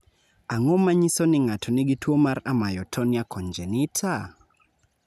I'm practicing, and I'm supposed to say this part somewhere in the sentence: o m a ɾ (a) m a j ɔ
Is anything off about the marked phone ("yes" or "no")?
no